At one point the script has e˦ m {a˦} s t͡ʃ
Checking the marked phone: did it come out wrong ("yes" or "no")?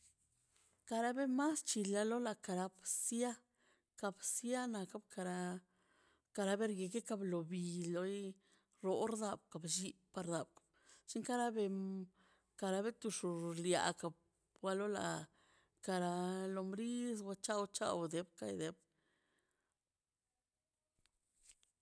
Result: no